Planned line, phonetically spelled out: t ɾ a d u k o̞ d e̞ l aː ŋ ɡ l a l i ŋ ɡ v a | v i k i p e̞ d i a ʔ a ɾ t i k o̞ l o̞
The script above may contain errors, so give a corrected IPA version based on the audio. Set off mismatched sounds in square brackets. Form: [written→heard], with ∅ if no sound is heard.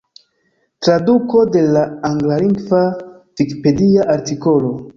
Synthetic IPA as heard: t ɾ a d u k o̞ d e̞ l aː ŋ ɡ l a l i ŋ ɡ v a | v i k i p e̞ d i a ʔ a ɾ t i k o̞ l o̞